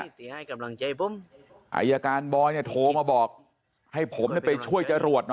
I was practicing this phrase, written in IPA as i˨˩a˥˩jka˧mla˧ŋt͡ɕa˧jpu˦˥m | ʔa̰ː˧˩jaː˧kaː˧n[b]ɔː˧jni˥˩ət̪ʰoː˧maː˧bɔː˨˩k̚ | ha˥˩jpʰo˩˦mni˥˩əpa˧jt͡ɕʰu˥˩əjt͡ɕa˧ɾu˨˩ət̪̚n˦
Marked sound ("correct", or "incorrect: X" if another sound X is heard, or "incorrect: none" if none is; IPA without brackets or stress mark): correct